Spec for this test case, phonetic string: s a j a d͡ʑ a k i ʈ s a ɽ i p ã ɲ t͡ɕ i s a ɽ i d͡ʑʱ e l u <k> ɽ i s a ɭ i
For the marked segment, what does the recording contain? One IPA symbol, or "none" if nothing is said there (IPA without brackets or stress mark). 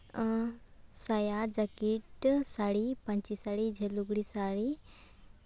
ɡ